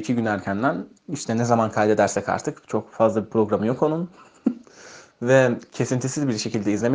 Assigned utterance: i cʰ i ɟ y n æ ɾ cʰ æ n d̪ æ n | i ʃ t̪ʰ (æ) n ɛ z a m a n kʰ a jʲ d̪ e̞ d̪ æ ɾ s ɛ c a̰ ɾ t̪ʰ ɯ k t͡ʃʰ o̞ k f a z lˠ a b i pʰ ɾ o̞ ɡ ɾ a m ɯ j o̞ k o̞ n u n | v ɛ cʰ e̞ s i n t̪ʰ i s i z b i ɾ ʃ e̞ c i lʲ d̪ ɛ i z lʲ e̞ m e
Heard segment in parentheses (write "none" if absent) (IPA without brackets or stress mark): ɛ